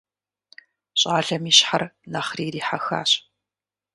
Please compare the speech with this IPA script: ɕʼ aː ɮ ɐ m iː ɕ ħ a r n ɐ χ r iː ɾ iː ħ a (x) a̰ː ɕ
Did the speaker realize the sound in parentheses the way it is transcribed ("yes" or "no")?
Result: yes